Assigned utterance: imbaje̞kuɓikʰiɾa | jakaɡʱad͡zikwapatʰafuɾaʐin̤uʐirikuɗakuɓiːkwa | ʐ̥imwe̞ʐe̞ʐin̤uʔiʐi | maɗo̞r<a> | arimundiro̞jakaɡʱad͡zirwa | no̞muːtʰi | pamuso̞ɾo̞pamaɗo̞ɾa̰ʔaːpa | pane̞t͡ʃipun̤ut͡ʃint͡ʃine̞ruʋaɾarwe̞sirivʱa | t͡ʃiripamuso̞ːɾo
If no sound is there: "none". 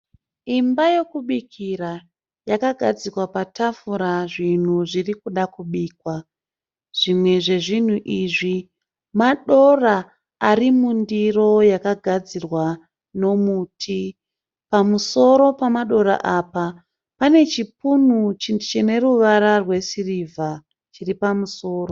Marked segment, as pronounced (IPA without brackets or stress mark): a